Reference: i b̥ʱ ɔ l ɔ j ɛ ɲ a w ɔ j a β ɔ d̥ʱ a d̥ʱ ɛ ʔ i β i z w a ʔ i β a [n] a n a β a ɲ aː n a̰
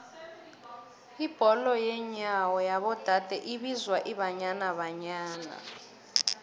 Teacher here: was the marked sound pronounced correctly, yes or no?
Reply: no